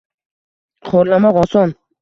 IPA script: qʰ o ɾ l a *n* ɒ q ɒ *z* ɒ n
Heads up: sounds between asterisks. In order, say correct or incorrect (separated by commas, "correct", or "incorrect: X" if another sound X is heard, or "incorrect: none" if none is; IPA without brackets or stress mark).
incorrect: m, incorrect: s